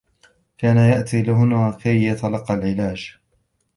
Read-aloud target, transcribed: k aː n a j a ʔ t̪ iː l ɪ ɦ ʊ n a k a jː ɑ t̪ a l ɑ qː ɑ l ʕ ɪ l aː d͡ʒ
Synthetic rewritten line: k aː n a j a ʔ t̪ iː l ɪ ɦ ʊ n a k a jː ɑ t̪ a l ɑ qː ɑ l ʕ ɪ l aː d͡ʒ